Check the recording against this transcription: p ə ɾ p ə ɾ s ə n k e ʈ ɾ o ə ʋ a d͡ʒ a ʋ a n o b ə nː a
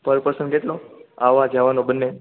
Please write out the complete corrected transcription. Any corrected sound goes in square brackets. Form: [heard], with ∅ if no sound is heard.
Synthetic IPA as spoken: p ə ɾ p ə ɾ s ə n k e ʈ [l] o [a] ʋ a d͡ʒ a ʋ a n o b ə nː [e]